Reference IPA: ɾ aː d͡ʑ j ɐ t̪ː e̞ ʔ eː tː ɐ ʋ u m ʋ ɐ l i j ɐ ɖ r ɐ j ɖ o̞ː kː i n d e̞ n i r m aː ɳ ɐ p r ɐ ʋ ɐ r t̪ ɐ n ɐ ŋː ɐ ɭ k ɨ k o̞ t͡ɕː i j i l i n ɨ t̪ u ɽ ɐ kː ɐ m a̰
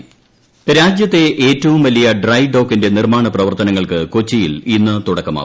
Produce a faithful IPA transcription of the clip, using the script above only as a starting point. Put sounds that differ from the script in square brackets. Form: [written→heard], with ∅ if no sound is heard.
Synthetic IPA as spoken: ɾ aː d͡ʑ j ɐ t̪ː e̞ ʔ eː tː ɐ ʋ u m ʋ ɐ l i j ɐ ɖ r ɐ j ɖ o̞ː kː i n d e̞ n i r m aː ɳ ɐ p r ɐ ʋ ɐ r t̪ ɐ n ɐ ŋː ɐ ɭ k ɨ k o̞ t͡ɕː i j i l i [n→nː] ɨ t̪ u ɽ ɐ kː ɐ m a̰